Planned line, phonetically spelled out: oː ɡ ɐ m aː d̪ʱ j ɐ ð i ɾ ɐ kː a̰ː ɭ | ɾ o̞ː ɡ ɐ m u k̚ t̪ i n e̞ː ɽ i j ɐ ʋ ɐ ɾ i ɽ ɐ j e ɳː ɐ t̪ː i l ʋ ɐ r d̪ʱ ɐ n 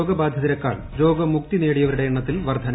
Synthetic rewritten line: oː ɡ ɐ b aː d̪ʱ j ɐ ð i ɾ ɐ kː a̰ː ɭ | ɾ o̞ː ɡ ɐ m u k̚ t̪ i n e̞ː ɽ i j ɐ ʋ ɐ ɾ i ɽ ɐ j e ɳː ɐ t̪ː i l ʋ ɐ r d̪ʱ ɐ n